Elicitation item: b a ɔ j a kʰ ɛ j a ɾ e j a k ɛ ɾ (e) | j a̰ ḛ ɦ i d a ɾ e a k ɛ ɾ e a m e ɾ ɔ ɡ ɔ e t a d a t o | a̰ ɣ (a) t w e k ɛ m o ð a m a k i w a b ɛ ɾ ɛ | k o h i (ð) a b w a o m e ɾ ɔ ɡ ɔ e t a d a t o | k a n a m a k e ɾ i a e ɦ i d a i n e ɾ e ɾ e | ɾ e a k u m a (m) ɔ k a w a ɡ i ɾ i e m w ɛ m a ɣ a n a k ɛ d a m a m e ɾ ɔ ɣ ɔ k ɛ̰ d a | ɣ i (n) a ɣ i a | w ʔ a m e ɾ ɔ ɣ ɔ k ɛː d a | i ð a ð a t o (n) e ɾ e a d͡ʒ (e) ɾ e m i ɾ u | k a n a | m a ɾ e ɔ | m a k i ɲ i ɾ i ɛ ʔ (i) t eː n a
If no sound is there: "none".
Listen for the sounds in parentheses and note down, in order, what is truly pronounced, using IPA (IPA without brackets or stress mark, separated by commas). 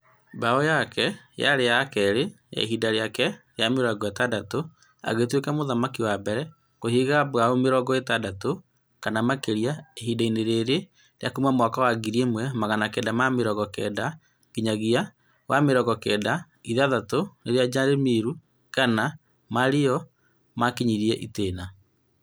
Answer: e, e, ɣ, m, ɲ, n, a, i